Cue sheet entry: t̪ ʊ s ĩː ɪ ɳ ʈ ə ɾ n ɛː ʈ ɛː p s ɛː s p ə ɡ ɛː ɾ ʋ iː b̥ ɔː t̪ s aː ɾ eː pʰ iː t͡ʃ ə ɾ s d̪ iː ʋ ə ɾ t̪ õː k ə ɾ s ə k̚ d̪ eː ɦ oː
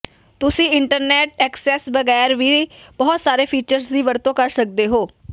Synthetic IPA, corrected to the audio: t̪ ʊ s ĩː ɪ ɳ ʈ ə ɾ n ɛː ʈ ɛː k s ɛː s b ə ɡ ɛː ɾ ʋ iː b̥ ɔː t̪ s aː ɾ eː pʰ iː t͡ʃ ə ɾ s d̪ iː ʋ ə ɾ t̪ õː k ə ɾ s ə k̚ d̪ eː ɦ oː